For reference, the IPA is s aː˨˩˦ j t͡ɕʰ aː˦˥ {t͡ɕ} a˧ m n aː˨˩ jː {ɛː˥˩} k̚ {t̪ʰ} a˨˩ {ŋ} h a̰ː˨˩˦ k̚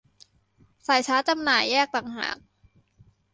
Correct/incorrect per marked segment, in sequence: correct, correct, incorrect: t̪, correct

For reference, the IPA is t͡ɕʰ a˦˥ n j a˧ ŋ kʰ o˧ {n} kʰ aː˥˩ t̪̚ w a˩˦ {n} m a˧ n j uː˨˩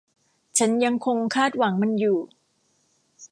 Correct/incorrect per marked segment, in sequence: incorrect: ŋ, incorrect: ŋ

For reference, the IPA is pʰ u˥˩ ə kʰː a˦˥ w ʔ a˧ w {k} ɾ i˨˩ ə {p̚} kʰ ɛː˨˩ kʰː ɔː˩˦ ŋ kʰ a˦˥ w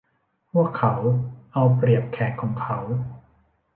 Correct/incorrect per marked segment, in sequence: incorrect: p, correct

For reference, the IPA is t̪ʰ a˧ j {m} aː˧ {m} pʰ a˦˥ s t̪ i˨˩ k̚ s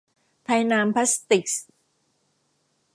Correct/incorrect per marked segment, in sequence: incorrect: n, correct

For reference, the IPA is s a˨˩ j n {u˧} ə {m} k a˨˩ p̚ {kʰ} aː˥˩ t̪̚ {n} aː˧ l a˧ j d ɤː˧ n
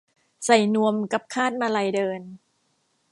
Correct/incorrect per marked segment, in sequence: correct, correct, correct, incorrect: m

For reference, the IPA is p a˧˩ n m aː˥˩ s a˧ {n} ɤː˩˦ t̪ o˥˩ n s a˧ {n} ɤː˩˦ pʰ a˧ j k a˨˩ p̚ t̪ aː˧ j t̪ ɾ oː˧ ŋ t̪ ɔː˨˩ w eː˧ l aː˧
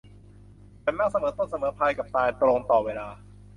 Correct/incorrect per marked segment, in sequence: incorrect: m, incorrect: m

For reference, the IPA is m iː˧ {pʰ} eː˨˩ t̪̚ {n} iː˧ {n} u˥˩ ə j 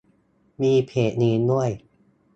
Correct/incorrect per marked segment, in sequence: correct, correct, correct

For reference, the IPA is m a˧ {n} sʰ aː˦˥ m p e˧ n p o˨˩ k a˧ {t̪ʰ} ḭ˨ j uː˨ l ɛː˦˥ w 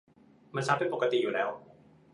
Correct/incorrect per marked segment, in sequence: correct, incorrect: t̪

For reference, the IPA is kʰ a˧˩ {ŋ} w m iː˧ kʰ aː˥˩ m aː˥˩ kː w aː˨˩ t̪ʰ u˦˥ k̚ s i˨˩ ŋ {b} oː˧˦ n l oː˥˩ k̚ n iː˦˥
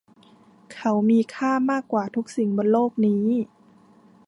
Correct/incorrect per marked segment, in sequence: incorrect: none, correct

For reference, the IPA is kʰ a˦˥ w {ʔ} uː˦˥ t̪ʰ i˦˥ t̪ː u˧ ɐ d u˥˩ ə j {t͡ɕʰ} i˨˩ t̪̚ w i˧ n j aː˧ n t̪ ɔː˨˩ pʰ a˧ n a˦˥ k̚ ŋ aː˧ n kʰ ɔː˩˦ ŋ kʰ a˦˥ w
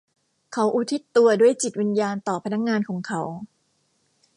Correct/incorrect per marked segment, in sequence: correct, incorrect: t͡ɕ

